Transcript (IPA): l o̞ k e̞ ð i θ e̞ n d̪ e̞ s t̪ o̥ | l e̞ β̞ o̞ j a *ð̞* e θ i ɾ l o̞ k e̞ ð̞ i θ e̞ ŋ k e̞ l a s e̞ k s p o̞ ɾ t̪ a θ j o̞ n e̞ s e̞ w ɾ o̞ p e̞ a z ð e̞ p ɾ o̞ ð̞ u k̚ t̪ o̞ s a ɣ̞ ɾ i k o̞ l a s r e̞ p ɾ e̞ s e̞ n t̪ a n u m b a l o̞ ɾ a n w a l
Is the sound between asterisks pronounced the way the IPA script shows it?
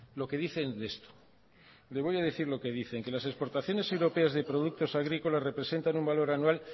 yes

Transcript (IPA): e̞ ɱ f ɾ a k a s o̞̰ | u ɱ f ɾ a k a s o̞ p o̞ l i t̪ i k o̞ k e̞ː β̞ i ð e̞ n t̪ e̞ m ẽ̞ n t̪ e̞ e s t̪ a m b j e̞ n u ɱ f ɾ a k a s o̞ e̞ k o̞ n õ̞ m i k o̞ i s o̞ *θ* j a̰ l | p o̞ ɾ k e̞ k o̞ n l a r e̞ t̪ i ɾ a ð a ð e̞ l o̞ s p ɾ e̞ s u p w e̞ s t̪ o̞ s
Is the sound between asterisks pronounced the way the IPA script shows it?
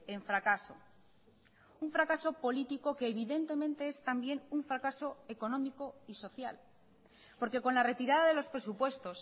yes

